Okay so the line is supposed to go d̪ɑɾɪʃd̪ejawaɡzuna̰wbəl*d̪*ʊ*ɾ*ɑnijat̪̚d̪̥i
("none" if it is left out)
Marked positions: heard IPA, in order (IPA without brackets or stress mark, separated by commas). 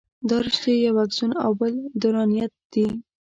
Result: d̪, ɾ